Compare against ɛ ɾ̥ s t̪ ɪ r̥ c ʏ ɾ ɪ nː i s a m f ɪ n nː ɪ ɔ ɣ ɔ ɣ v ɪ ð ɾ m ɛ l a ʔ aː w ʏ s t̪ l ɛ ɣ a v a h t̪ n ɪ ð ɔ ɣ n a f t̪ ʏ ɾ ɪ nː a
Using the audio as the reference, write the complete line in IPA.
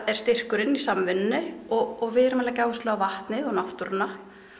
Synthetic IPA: ɛ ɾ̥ s t̪ ɪ r̥ k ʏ ɾ ɪ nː i s a m v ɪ n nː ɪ ɔ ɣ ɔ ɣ v ɪ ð ɾ m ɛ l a c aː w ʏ s t̪ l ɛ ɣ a v a h t̪ n ɪ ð ɔ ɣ n a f t̪ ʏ ɾ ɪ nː a